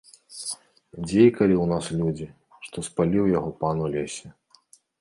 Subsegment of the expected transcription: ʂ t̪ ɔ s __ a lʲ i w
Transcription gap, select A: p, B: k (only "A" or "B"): A